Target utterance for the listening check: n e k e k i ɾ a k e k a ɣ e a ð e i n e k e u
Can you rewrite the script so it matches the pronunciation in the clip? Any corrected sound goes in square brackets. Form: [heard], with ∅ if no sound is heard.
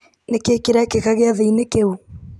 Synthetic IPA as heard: n e k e k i ɾ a k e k a ɣ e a ð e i n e k e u

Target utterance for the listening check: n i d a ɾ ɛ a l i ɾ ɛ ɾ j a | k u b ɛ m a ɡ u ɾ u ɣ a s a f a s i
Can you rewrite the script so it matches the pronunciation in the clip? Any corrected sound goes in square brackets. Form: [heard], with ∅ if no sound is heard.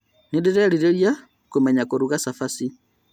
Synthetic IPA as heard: n i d [i] ɾ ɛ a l i ɾ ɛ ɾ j a | k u [m] ɛ [ɲ] a [k] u ɾ u ɣ a s a f a s i

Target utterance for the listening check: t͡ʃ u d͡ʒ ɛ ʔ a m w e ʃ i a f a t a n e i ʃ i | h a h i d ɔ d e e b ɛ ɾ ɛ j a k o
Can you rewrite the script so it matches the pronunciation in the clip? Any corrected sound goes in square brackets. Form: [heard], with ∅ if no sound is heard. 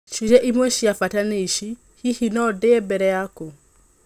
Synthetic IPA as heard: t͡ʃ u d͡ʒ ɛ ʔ [i] m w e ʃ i a f a t a n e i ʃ i | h [i] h i [n] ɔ d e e b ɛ ɾ ɛ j a k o

